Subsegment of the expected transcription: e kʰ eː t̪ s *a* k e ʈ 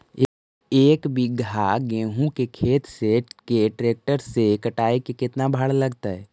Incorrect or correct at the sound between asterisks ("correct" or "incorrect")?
incorrect